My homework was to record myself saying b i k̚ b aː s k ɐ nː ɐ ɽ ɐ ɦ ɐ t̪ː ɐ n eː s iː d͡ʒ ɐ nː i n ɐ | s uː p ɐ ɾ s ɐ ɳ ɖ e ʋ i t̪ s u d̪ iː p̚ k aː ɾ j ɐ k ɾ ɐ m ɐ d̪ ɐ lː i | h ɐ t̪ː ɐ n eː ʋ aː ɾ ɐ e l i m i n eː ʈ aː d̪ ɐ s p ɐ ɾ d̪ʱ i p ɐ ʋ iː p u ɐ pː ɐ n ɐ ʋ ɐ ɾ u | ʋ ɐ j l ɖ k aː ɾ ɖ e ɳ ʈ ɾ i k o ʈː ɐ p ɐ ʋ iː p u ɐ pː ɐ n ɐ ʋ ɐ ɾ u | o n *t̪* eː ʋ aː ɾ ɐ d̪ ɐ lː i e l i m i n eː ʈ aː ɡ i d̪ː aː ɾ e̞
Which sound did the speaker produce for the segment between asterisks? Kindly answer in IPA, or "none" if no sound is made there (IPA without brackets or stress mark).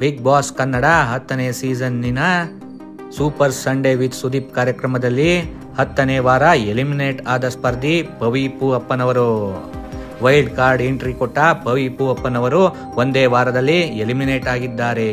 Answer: d̪